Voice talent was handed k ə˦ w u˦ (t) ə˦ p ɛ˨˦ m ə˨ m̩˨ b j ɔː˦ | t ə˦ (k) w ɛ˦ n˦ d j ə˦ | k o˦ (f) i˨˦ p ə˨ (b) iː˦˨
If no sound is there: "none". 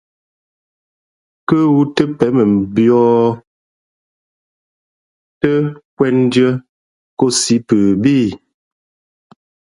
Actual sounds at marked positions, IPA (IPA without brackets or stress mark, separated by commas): t, k, s, b